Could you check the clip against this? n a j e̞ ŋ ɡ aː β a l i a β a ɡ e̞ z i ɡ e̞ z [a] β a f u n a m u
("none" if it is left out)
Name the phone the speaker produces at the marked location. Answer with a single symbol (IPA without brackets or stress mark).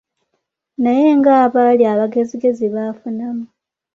i